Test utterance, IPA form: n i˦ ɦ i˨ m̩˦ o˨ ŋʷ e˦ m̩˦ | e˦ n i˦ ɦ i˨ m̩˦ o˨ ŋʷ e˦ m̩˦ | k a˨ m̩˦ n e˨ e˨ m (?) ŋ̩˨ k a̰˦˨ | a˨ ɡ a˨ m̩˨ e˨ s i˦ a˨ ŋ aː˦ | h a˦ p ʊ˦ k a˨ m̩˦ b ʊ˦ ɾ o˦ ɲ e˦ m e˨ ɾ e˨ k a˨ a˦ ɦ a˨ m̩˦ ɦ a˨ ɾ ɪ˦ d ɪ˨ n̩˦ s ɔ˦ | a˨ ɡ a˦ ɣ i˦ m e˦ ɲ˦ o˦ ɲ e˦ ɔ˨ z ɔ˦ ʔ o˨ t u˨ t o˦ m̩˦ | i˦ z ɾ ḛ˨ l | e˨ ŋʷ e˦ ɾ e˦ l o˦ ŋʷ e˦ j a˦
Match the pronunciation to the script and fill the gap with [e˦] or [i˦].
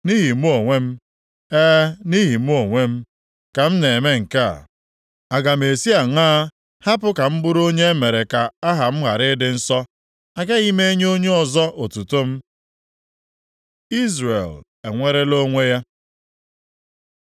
e˦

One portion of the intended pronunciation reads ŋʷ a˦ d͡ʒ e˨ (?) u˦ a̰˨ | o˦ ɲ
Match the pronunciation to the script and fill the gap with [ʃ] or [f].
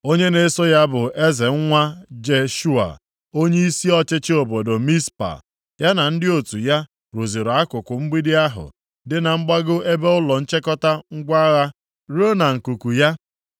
ʃ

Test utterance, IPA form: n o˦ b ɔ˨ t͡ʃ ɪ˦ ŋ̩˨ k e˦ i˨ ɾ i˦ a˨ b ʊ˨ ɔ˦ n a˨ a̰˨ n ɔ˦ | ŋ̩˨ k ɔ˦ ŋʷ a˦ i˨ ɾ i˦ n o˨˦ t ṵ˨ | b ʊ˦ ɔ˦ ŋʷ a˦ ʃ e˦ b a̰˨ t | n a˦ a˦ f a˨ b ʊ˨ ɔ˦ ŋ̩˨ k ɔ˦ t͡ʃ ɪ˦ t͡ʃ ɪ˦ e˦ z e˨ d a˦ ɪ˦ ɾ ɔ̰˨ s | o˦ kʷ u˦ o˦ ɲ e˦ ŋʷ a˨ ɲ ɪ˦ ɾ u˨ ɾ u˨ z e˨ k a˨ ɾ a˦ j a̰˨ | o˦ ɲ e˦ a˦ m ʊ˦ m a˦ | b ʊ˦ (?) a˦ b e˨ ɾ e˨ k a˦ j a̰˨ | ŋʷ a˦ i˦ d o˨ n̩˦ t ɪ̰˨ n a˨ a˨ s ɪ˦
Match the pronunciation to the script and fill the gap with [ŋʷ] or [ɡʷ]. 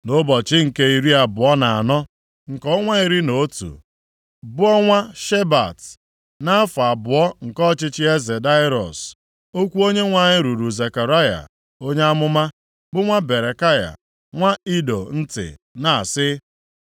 ŋʷ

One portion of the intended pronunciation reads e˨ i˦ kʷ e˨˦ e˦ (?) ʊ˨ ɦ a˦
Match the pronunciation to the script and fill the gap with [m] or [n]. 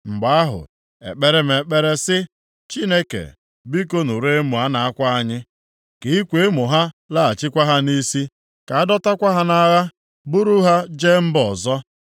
m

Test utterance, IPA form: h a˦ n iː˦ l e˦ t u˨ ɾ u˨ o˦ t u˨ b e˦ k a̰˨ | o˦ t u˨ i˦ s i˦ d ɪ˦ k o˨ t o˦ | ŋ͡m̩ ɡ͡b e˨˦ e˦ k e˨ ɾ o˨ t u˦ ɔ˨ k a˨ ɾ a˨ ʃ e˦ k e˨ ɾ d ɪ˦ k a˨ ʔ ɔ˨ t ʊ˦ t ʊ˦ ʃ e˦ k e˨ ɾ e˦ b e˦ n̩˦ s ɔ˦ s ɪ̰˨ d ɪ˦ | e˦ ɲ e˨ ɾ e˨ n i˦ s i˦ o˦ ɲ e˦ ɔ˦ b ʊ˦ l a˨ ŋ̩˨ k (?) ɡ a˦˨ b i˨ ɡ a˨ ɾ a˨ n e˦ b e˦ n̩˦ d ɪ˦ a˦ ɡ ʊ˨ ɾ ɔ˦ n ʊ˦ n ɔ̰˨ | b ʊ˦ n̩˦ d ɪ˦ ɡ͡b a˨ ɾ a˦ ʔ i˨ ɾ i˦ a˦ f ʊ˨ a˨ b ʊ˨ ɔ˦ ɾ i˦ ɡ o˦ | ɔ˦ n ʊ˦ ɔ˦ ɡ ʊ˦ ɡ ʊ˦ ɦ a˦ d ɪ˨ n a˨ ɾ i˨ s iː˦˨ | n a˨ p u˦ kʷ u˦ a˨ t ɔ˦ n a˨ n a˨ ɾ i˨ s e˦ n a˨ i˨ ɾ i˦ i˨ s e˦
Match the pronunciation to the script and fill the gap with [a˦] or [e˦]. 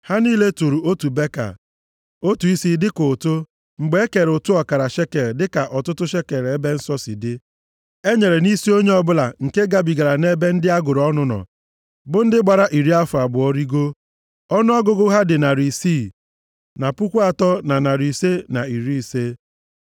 e˦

